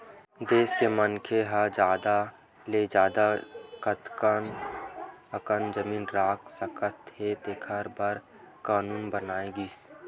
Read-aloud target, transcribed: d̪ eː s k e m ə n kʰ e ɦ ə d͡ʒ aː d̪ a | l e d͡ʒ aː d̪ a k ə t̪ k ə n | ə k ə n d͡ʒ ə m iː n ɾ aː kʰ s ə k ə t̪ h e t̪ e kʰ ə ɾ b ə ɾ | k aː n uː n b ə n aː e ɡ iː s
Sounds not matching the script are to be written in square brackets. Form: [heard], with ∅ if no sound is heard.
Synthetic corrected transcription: d̪ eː s k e m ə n kʰ e ɦ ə d͡ʒ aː d̪ a | l e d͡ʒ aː d̪ a k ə t̪ k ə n | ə k ə n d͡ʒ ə m iː n ɾ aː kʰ s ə k ə t̪ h e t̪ e kʰ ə ɾ b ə ɾ | k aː n uː n b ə n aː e ɡ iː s